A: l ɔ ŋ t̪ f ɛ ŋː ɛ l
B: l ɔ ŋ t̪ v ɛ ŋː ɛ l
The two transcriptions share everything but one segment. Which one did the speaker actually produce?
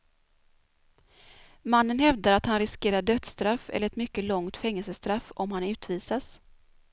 A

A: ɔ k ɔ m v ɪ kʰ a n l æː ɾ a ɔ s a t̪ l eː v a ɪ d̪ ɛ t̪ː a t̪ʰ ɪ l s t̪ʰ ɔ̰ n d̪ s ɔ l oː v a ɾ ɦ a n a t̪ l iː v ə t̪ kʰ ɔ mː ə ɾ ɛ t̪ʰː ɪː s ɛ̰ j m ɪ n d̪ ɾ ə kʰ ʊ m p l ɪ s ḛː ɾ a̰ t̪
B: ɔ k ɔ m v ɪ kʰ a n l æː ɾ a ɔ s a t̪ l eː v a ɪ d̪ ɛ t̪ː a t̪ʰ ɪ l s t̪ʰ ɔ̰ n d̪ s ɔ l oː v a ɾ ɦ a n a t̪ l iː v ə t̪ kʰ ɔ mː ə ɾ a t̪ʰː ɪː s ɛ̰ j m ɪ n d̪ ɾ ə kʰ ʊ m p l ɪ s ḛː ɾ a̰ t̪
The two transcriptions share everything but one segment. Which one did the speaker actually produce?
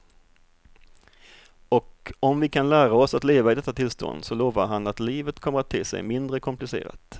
B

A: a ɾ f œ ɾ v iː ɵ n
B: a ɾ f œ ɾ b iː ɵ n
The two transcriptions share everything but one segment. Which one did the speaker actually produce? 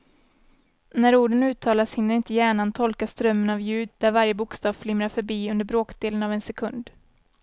B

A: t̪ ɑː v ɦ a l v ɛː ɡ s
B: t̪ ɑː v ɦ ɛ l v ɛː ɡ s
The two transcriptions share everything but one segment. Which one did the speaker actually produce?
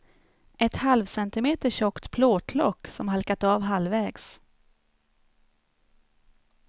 A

